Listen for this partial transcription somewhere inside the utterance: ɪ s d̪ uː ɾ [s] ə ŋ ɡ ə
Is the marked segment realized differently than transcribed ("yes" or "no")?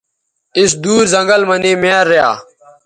yes